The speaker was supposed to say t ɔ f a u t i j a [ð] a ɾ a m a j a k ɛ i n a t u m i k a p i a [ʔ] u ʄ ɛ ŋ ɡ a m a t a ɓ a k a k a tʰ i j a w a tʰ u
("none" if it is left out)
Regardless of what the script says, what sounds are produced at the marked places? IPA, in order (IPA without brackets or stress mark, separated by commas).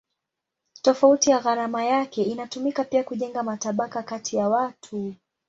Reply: ɣ, k